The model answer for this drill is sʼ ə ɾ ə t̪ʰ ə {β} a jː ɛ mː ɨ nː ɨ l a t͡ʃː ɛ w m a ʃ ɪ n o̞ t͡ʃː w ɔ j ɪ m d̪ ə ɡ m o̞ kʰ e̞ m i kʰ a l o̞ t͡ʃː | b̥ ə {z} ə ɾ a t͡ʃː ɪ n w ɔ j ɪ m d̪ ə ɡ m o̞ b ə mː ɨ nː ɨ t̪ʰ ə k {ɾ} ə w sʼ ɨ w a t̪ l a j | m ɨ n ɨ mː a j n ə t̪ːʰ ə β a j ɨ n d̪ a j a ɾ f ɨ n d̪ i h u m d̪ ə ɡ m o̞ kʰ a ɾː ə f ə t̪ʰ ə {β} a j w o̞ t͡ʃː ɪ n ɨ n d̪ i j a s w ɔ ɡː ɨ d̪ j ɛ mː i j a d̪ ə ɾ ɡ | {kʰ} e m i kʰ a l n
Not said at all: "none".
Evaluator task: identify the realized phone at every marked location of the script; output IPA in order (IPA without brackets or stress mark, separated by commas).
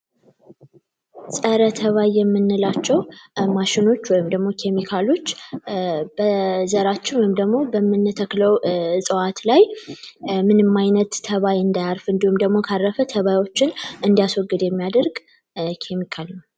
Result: β, z, l, β, kʰ